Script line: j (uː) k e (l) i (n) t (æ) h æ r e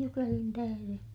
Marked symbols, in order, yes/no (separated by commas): no, yes, yes, yes